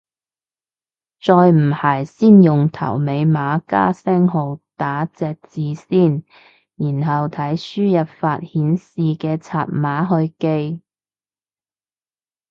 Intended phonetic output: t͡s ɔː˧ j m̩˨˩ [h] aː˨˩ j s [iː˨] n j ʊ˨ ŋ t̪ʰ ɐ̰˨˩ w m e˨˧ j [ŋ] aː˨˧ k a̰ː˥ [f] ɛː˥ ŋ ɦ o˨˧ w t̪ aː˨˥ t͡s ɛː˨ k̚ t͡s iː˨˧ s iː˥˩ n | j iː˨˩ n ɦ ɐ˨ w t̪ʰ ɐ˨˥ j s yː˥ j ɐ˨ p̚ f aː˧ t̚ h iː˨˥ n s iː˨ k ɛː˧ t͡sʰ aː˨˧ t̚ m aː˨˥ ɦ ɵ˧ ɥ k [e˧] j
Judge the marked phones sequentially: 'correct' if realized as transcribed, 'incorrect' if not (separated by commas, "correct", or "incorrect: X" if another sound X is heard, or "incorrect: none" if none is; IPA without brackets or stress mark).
correct, incorrect: iː˥, incorrect: m, incorrect: s, correct